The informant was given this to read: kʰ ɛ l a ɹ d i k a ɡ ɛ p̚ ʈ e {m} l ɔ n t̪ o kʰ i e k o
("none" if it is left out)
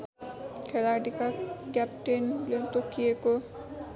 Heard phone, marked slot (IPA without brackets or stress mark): n